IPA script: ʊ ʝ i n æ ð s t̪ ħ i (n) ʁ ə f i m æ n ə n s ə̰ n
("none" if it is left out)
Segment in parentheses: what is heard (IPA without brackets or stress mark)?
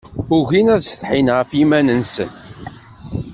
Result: n